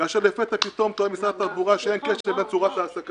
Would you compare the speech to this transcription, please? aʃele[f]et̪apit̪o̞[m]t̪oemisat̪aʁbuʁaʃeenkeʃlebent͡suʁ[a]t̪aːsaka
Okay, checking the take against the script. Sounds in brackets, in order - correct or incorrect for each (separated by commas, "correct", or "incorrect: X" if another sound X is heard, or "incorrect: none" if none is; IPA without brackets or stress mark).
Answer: correct, correct, correct